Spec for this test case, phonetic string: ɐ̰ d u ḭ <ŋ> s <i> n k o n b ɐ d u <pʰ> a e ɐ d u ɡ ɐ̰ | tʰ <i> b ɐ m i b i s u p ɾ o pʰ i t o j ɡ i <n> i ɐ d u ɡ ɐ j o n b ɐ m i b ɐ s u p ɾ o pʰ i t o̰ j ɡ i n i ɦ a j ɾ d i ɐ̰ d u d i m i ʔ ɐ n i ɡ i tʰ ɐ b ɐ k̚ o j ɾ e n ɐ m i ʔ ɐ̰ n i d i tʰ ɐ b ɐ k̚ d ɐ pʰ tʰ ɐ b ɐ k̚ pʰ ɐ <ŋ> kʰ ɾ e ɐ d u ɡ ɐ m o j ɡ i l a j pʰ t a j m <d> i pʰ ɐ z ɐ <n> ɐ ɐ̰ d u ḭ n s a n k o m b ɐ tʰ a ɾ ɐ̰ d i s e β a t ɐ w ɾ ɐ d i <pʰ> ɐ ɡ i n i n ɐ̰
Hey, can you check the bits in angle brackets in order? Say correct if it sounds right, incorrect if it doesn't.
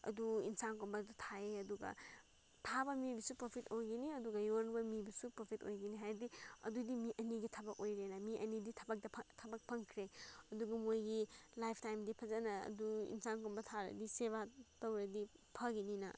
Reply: incorrect: n, incorrect: a, incorrect: tʰ, incorrect: a, correct, correct, correct, correct, correct

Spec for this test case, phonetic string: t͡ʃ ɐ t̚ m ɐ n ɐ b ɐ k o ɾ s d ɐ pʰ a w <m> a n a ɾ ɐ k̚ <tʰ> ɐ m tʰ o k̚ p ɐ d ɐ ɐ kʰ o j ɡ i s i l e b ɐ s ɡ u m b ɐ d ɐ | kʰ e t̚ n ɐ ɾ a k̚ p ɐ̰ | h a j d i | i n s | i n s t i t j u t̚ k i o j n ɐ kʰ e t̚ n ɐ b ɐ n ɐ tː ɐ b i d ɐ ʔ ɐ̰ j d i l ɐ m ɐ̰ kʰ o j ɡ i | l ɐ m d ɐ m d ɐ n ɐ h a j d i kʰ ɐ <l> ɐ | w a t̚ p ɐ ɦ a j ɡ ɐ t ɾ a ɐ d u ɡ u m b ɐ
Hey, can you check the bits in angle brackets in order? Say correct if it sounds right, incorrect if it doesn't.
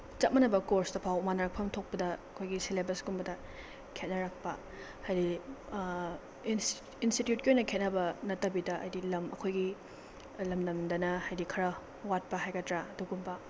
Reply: correct, incorrect: pʰ, incorrect: ɾ

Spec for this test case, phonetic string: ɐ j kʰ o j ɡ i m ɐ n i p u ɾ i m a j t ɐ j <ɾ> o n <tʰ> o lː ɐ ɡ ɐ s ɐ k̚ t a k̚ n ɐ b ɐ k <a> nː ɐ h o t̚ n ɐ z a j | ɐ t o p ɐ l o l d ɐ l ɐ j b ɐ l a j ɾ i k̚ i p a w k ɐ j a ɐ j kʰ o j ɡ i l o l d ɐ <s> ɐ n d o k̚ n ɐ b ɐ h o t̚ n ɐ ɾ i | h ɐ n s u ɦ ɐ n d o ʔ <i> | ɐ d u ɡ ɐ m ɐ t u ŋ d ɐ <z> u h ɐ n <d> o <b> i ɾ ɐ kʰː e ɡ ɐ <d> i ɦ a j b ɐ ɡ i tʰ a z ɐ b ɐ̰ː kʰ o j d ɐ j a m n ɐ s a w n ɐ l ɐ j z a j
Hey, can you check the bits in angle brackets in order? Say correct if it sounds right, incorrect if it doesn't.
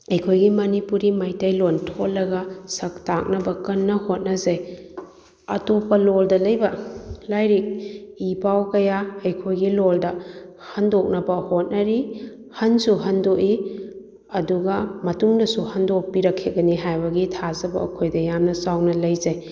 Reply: incorrect: l, correct, incorrect: ɐ, incorrect: h, correct, incorrect: s, correct, incorrect: p, incorrect: n

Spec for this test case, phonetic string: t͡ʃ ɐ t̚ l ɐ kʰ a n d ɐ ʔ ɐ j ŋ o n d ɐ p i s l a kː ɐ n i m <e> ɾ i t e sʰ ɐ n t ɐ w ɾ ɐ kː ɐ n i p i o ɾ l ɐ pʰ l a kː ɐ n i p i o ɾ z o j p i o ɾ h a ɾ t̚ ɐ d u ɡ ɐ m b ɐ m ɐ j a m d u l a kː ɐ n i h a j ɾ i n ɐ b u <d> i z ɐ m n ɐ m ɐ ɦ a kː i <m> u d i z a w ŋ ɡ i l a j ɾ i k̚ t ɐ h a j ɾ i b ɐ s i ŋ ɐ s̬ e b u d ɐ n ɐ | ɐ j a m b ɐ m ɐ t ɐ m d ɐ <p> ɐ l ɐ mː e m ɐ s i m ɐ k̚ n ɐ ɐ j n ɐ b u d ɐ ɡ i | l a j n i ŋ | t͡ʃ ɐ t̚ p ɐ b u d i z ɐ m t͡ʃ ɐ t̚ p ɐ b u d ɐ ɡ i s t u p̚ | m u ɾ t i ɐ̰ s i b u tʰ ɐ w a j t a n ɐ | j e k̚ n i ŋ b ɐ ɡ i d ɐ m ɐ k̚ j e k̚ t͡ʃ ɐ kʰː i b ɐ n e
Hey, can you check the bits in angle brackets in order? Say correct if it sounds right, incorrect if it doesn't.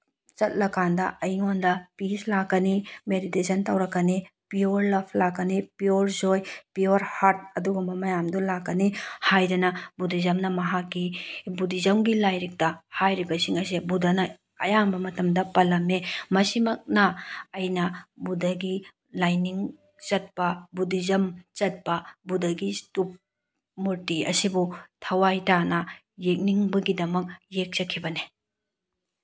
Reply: correct, correct, incorrect: b, correct

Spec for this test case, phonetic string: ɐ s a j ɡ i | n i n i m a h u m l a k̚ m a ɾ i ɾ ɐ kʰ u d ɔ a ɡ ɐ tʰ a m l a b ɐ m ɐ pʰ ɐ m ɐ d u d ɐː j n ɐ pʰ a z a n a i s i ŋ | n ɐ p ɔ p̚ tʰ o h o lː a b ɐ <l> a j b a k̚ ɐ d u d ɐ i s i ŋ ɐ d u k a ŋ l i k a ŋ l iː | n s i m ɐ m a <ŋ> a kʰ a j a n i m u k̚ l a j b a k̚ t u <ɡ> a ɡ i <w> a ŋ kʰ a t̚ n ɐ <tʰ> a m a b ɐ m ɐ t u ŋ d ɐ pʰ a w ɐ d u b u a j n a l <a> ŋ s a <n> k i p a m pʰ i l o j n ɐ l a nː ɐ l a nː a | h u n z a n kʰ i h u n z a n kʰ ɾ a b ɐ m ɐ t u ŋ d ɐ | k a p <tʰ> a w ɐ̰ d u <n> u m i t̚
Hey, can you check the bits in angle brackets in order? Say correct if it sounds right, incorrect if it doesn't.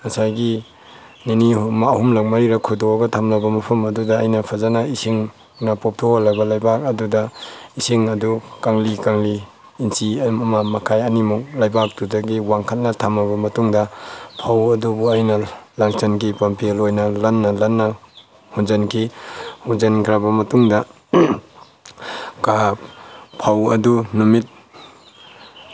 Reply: correct, incorrect: m, incorrect: d, correct, correct, correct, correct, incorrect: pʰ, correct

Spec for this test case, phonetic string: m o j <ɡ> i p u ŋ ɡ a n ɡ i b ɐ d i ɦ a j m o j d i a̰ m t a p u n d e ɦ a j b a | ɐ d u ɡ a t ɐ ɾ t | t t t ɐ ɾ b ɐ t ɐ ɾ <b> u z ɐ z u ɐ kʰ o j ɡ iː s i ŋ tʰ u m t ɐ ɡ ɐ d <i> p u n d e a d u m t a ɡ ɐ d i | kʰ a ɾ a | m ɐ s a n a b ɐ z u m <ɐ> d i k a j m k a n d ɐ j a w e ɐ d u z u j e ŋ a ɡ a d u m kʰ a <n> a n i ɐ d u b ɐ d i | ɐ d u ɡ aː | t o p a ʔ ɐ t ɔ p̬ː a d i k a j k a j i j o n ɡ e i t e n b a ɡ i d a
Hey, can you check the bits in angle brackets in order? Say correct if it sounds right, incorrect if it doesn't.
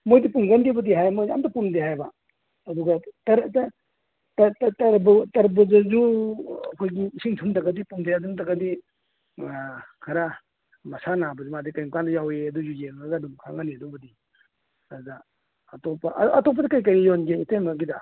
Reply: incorrect: d, correct, correct, incorrect: a, incorrect: ŋ

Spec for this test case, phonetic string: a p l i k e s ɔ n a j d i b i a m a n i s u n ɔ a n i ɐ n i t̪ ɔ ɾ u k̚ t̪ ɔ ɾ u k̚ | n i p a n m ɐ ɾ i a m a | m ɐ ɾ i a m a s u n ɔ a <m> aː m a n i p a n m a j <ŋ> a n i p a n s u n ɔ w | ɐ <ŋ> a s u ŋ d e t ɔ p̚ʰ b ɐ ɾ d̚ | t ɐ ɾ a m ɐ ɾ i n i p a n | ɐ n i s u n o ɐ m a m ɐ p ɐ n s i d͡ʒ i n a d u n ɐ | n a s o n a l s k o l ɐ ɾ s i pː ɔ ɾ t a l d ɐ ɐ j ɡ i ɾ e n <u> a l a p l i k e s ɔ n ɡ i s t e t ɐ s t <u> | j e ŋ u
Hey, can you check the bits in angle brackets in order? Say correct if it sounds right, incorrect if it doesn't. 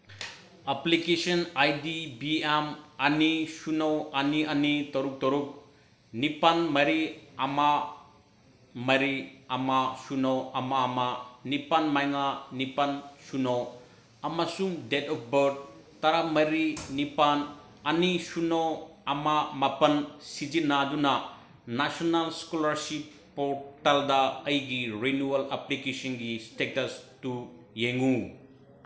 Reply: correct, correct, incorrect: m, correct, correct

